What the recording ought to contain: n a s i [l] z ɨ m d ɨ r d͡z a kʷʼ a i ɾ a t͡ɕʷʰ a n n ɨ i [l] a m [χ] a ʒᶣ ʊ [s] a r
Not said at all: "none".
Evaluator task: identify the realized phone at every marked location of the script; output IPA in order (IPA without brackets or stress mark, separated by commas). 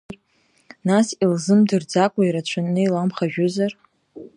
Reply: l, l, χ, z